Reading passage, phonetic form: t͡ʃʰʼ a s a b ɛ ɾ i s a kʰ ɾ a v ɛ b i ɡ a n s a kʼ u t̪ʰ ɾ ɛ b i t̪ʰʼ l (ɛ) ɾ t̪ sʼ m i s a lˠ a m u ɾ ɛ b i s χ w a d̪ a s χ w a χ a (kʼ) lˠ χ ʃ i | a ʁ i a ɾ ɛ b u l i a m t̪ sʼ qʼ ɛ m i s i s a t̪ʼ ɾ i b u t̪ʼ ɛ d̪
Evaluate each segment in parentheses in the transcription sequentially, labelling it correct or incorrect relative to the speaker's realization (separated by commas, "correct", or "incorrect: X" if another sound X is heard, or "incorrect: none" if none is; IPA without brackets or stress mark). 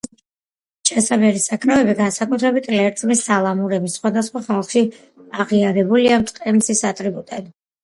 correct, incorrect: none